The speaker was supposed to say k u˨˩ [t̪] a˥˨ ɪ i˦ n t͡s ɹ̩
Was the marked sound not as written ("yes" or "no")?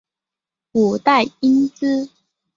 no